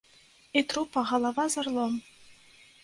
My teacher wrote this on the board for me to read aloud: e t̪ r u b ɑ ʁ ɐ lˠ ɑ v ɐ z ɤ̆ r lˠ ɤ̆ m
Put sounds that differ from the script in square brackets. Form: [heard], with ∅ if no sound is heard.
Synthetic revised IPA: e t̪ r u [p] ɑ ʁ [ɑ] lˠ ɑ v [ɑ] z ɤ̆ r lˠ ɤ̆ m